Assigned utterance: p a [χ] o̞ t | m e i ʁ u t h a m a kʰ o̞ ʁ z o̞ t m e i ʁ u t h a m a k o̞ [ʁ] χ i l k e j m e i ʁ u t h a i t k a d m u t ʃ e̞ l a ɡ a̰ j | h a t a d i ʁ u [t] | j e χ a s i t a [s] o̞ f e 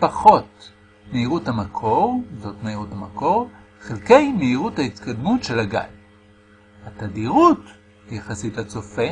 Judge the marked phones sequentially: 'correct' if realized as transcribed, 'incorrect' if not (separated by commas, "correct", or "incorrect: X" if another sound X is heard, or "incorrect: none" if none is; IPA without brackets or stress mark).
correct, correct, correct, incorrect: t͡s